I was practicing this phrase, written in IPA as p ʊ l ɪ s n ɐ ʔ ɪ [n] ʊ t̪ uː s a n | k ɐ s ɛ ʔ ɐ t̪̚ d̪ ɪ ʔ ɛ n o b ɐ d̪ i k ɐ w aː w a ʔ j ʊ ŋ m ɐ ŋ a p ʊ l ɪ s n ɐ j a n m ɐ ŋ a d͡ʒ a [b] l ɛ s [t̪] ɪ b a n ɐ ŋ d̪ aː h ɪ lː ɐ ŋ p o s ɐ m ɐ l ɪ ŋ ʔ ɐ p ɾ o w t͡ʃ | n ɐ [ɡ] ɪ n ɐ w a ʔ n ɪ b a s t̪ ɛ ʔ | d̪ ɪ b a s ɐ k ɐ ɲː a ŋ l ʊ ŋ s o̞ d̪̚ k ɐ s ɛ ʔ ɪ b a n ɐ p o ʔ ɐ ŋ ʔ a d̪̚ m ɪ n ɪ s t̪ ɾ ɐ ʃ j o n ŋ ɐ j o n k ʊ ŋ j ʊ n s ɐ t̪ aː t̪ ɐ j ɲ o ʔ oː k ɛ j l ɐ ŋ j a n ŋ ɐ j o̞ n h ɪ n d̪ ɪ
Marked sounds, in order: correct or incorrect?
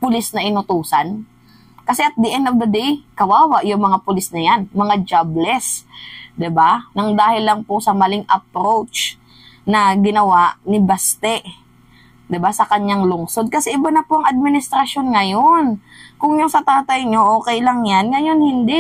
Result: correct, correct, incorrect, correct

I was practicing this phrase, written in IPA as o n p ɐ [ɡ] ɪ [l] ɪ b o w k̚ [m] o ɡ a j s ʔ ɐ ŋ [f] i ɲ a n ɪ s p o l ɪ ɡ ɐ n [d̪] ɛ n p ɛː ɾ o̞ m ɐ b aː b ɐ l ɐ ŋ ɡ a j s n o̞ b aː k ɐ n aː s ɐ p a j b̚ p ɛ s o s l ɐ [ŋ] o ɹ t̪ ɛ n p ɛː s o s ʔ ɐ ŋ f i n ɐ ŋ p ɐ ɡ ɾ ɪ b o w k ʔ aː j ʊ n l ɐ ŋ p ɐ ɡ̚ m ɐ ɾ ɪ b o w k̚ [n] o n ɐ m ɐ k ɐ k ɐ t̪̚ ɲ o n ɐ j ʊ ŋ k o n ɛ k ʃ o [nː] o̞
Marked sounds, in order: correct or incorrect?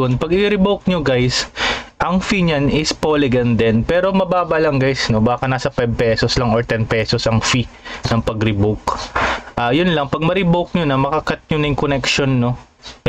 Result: correct, incorrect, incorrect, correct, correct, correct, incorrect, correct

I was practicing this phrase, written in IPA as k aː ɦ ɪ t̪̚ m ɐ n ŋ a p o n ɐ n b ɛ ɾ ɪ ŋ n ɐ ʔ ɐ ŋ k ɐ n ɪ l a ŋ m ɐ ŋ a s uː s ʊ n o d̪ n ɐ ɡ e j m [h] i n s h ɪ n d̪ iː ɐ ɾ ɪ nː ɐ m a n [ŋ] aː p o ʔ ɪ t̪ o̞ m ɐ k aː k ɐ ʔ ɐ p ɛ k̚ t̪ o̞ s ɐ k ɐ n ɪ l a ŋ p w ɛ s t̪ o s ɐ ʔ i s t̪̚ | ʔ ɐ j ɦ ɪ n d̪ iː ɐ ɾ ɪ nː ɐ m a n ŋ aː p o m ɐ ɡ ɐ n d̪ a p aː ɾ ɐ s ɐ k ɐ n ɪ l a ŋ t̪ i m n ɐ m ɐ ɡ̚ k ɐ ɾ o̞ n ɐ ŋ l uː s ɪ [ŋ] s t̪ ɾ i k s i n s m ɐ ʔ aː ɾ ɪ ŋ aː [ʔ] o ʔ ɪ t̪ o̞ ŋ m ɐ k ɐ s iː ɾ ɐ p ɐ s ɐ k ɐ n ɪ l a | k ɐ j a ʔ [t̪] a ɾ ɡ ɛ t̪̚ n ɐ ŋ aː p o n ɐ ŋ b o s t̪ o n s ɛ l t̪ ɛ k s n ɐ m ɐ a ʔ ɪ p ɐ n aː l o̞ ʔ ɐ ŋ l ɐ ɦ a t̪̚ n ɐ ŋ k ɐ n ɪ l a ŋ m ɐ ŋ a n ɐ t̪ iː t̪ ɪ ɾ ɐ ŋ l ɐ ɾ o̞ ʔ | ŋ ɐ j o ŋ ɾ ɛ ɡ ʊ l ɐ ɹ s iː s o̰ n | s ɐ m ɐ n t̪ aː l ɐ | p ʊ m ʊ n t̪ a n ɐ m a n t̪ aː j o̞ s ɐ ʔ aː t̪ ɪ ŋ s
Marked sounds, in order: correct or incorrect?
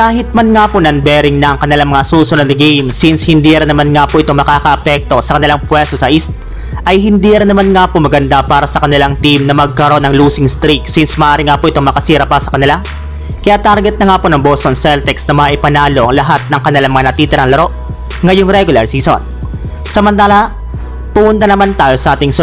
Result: incorrect, correct, correct, incorrect, correct

